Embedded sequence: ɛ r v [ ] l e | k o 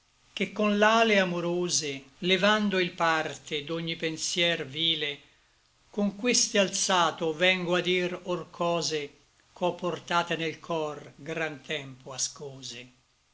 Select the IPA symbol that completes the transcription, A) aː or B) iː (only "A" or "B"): B